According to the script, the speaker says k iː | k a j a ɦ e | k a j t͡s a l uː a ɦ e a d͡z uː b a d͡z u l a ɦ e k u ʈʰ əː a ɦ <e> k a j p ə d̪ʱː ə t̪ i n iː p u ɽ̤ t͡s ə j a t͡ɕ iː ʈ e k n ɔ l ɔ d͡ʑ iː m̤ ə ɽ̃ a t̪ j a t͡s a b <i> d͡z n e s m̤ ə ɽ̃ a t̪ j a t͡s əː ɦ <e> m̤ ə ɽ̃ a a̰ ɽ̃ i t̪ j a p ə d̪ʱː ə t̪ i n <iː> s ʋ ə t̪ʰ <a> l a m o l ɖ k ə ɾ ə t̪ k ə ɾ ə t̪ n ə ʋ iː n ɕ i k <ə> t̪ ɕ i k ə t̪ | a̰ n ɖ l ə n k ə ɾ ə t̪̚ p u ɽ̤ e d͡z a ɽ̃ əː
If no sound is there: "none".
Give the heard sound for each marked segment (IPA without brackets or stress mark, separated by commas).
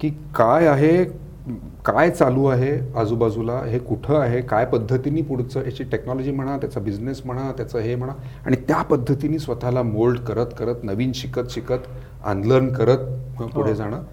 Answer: e, i, e, iː, a, ə